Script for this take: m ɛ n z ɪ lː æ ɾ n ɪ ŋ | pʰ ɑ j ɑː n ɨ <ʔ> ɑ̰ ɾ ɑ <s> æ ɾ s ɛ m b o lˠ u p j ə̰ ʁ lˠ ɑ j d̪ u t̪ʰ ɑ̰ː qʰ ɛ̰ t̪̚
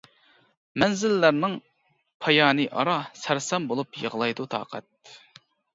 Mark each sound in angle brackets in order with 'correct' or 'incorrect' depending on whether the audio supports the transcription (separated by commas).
correct, correct